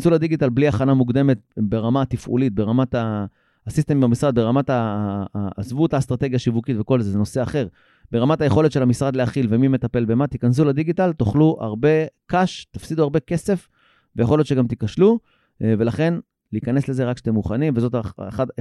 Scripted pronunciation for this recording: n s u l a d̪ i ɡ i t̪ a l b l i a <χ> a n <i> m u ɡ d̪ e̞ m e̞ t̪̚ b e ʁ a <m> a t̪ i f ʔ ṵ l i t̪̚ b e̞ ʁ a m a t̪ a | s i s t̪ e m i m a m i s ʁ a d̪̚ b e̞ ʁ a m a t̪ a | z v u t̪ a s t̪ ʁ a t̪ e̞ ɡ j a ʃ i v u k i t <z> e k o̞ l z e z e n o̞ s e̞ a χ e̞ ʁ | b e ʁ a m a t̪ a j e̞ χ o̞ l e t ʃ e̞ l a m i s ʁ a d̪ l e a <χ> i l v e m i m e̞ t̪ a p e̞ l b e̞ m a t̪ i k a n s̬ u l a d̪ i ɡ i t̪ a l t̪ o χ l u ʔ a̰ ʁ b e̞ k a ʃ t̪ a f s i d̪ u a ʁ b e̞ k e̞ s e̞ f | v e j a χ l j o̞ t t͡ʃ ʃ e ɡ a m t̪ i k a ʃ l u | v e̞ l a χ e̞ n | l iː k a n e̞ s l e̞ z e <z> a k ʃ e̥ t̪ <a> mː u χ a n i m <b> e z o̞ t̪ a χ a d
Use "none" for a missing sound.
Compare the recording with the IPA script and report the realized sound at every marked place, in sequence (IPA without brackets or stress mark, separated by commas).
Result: χ, a, m, v, χ, ʁ, e, v